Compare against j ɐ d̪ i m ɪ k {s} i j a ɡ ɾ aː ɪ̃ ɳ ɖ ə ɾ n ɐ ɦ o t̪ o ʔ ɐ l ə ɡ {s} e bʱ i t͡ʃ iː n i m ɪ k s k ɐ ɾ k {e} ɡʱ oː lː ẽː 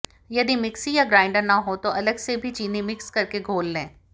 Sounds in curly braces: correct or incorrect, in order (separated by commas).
correct, correct, correct